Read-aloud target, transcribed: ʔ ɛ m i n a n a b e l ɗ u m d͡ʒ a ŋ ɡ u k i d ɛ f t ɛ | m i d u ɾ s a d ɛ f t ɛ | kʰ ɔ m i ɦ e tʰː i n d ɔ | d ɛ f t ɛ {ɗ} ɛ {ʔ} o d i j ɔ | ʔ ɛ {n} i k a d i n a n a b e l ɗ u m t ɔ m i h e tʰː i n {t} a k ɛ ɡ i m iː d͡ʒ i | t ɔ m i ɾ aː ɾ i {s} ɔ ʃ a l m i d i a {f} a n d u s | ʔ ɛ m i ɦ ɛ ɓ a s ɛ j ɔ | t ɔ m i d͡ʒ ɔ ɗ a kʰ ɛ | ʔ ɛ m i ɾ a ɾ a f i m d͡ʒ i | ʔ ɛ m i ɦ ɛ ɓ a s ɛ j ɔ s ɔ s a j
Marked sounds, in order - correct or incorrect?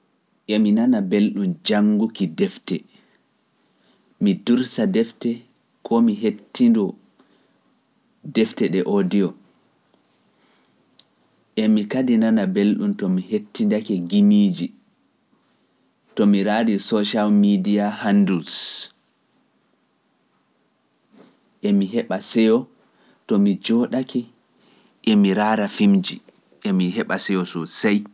correct, correct, incorrect, incorrect, correct, incorrect

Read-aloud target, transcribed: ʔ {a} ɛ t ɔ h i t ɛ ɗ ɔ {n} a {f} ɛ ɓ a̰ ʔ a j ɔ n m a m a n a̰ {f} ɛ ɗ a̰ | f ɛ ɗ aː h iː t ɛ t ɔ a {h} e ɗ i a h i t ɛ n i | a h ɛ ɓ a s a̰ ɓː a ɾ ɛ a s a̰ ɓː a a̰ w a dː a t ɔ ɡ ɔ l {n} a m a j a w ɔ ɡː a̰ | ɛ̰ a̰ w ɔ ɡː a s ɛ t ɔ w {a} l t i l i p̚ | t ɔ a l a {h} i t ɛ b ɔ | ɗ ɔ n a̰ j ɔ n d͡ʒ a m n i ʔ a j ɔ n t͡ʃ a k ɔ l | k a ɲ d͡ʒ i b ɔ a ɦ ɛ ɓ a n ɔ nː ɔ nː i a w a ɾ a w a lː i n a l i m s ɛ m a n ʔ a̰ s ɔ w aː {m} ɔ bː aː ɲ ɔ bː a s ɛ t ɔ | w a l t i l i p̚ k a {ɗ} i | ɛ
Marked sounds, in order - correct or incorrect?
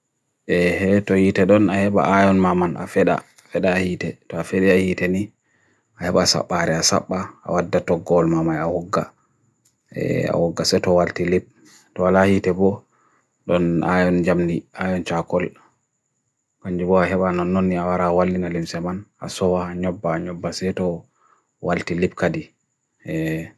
incorrect, correct, incorrect, correct, incorrect, incorrect, correct, correct, incorrect, incorrect

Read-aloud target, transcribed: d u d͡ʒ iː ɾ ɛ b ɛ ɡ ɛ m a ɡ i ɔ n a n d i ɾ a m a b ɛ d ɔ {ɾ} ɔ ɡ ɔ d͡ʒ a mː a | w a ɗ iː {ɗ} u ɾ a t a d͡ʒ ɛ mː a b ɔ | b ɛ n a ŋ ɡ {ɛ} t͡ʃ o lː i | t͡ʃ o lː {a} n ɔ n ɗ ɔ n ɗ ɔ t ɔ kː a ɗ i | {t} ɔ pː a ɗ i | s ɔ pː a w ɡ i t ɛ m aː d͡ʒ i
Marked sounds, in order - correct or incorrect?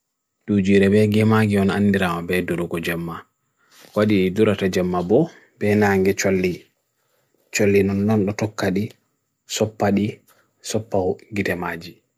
correct, incorrect, correct, incorrect, incorrect

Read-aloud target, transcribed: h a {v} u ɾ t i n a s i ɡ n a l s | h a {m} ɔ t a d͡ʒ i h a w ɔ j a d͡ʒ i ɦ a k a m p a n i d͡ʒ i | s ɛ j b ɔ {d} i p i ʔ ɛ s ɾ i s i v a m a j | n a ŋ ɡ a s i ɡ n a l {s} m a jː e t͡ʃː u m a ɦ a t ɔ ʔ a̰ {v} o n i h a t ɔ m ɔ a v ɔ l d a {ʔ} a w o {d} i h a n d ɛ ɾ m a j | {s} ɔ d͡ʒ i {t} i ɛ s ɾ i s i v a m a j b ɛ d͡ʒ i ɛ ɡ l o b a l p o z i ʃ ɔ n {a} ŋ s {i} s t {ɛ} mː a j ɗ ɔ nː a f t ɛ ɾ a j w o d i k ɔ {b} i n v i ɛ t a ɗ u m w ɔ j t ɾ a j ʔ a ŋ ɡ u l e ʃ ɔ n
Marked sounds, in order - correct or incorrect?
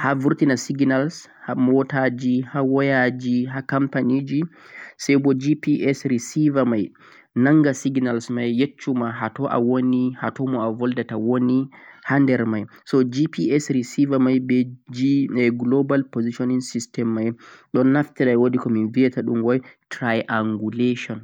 correct, correct, incorrect, correct, incorrect, incorrect, incorrect, correct, incorrect, incorrect, correct, correct, incorrect

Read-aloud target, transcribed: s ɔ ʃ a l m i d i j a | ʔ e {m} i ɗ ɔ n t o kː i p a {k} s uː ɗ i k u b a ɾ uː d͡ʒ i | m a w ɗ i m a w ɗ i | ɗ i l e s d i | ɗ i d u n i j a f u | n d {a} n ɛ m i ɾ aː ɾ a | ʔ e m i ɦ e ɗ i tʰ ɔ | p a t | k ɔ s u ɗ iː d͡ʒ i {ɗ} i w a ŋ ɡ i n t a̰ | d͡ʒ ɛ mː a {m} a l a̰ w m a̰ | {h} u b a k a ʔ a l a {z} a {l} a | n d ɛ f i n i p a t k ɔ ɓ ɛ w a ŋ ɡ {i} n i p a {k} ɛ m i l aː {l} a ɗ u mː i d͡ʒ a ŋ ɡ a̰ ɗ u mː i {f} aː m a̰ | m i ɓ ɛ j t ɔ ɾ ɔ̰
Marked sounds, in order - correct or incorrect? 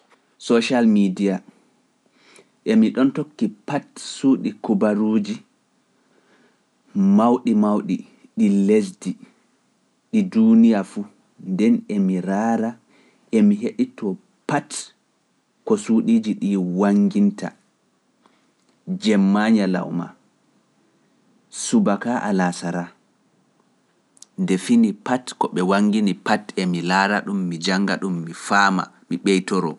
correct, incorrect, incorrect, correct, incorrect, incorrect, incorrect, incorrect, correct, incorrect, incorrect, correct

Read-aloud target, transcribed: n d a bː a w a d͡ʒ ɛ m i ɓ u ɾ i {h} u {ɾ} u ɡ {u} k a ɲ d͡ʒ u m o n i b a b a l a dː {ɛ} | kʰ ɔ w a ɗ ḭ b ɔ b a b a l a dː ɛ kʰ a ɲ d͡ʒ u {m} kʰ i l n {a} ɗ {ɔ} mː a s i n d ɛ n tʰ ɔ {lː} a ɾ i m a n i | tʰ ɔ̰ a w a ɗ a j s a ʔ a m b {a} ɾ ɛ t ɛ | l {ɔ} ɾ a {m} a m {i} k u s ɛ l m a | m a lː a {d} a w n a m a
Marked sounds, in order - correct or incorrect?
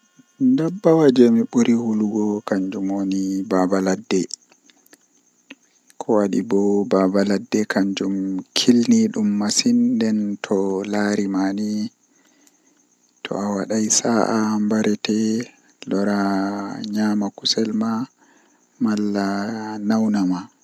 correct, incorrect, incorrect, correct, correct, incorrect, incorrect, incorrect, correct, correct, incorrect, incorrect, incorrect

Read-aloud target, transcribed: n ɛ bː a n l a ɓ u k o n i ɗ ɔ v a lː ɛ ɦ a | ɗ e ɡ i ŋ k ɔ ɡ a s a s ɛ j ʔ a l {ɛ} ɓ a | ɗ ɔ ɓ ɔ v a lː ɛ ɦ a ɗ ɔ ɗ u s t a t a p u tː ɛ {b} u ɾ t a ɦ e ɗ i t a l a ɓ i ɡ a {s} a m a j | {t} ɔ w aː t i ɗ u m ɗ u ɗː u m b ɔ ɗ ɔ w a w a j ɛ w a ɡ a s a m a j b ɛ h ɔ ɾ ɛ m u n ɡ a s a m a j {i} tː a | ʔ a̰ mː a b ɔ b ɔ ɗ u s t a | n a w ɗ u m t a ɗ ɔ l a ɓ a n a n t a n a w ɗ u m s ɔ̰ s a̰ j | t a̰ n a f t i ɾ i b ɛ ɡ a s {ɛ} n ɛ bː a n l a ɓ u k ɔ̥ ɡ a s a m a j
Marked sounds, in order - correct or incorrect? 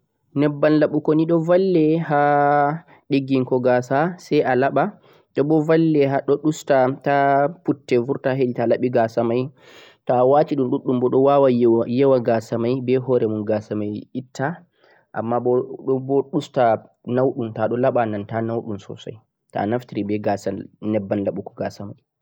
incorrect, incorrect, correct, correct, correct, incorrect

